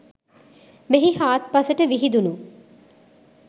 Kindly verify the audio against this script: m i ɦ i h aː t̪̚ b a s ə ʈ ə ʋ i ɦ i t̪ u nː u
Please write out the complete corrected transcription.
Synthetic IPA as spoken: m e ɦ i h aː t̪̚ p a s ə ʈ ə ʋ i ɦ i d̪ u n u